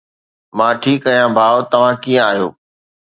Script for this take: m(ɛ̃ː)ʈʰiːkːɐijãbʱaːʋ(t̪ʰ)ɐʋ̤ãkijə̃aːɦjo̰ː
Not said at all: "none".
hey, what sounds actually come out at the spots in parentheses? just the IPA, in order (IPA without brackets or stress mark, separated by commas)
ãː, t̪